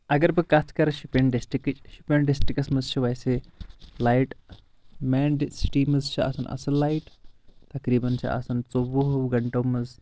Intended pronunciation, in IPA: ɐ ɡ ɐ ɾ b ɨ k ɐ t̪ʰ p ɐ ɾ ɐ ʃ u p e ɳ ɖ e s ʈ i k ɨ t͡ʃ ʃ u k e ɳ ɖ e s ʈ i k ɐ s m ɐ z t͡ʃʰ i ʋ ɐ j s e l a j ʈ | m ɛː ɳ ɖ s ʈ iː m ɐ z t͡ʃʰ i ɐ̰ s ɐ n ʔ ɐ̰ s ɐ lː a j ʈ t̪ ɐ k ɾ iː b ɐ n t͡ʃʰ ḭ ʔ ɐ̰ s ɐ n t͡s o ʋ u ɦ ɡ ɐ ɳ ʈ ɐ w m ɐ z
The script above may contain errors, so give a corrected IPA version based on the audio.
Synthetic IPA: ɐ ɡ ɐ ɾ b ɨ k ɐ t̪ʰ k ɐ ɾ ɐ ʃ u p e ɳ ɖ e s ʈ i k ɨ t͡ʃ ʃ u p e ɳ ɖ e s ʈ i k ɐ s m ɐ z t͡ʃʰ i ʋ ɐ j s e l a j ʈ | m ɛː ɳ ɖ s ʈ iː m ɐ z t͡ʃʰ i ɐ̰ s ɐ n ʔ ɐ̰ s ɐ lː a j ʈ t̪ ɐ k ɾ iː b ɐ n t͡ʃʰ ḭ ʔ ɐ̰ s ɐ n t͡s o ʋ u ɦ ɡ ɐ ɳ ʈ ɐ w m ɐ z